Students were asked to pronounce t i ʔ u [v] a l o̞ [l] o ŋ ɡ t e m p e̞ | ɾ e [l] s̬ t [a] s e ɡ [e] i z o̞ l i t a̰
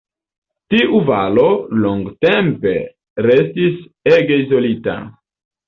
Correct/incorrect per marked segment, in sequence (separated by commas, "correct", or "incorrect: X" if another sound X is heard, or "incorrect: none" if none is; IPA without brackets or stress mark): correct, correct, incorrect: none, incorrect: i, correct